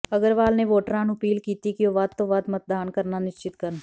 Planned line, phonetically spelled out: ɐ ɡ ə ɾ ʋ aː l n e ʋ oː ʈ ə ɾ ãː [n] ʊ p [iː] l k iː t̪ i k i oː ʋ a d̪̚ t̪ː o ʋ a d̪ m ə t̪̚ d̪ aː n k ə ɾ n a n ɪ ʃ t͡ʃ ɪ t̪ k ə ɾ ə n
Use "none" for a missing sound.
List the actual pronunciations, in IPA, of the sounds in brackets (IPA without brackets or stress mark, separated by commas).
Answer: n, iː